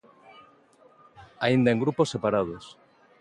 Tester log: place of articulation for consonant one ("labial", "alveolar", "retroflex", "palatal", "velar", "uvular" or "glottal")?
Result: alveolar